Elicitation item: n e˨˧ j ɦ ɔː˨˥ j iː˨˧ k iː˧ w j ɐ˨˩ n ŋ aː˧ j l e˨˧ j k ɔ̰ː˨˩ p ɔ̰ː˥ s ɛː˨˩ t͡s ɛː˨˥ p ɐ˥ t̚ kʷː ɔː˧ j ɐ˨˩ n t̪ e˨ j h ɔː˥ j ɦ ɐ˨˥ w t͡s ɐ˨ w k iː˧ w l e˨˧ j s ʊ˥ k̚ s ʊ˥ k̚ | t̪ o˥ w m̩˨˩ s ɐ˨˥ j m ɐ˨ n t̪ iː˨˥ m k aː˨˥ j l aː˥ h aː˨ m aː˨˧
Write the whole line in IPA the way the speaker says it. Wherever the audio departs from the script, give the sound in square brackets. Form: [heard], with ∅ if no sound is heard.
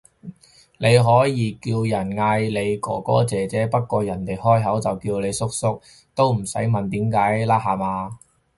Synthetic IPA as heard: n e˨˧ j ɦ ɔː˨˥ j iː˨˧ k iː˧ w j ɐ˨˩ n ŋ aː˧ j l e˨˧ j k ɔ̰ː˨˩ [k] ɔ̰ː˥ [t͡s] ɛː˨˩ t͡s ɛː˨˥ p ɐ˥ t̚ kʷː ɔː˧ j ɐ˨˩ n t̪ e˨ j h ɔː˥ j ɦ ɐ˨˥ w t͡s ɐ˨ w k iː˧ w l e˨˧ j s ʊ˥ k̚ s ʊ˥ k̚ | t̪ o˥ w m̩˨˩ s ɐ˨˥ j m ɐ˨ n t̪ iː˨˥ m k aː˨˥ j l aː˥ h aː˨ m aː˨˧